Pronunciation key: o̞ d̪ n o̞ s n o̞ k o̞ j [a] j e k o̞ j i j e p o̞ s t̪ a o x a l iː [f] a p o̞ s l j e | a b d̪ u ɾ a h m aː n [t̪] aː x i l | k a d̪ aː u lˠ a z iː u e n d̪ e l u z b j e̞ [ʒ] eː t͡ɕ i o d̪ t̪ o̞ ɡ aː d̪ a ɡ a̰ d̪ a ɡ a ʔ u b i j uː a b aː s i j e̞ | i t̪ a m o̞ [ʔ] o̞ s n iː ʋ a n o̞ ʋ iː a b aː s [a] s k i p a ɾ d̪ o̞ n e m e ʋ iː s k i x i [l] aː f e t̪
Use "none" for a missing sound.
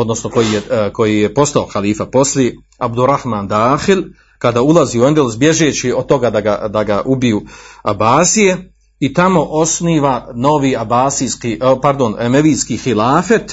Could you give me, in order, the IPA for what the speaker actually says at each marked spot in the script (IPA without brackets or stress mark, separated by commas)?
i, f, d̪, ʒ, ʔ, i, l